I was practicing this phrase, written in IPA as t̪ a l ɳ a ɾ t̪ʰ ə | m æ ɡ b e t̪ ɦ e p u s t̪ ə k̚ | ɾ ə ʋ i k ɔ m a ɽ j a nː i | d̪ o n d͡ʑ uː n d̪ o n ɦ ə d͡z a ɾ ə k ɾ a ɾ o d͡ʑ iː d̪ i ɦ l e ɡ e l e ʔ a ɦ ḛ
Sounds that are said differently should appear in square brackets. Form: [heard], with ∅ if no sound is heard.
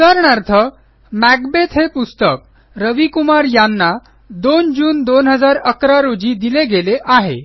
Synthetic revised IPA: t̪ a [ɾ] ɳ a ɾ t̪ʰ ə | m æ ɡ b e t̪ ɦ e p u s t̪ ə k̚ | ɾ ə ʋ i k [u] m a [ɾ] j a nː [a] | d̪ o n d͡ʑ uː n d̪ o n ɦ ə d͡z a ɾ ə k ɾ a ɾ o d͡ʑ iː d̪ i [∅] l e ɡ e l e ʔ a ɦ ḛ

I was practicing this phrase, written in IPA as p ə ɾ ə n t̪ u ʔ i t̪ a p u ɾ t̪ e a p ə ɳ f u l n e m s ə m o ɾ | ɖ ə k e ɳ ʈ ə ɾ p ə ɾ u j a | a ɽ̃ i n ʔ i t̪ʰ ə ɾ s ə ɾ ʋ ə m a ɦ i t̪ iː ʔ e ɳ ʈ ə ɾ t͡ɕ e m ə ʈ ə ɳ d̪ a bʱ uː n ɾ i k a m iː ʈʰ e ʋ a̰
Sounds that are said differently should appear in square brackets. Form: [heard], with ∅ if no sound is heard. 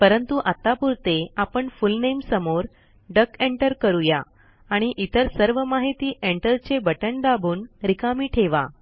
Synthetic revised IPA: p ə ɾ ə n t̪ u ʔ [a] t̪ a p u ɾ t̪ e a p ə ɳ f u l n e m s ə m o ɾ | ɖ ə k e ɳ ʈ ə ɾ [k] ə ɾ u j a | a ɽ̃ i [∅] ʔ i [t̪] ə ɾ s ə ɾ ʋ ə m a ɦ i t̪ iː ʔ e ɳ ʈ ə ɾ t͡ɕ e [b] ə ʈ ə ɳ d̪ a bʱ uː n ɾ i k a m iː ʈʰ e ʋ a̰

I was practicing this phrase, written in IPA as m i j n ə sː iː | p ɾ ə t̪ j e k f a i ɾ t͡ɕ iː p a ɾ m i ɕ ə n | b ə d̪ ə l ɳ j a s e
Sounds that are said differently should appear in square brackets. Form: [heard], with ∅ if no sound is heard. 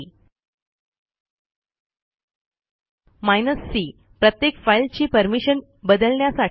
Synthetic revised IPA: m [a] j n ə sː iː | p ɾ ə t̪ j e k f a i [l] t͡ɕ iː p [ə] ɾ m i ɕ ə n | b ə d̪ ə l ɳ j a s [a]

